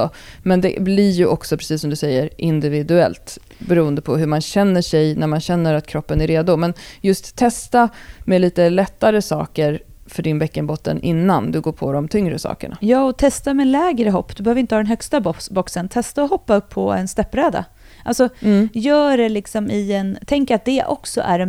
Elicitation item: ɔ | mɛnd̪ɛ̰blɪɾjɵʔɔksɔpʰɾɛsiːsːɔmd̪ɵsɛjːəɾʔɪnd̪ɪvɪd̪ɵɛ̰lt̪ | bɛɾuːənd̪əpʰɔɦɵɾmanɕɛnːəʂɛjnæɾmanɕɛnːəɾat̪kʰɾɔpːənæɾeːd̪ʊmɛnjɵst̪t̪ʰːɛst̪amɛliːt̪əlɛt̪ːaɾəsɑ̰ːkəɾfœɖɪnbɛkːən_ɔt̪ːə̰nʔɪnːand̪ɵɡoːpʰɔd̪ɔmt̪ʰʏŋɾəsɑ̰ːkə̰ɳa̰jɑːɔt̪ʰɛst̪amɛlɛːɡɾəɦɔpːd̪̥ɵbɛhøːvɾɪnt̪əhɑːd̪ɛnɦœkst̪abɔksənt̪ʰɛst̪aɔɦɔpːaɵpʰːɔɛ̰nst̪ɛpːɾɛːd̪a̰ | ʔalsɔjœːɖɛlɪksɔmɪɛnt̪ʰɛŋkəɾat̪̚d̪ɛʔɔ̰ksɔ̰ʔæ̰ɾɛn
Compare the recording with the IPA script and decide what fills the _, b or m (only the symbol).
b